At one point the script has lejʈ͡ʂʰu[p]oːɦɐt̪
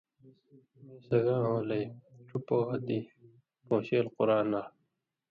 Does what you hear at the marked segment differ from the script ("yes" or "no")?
no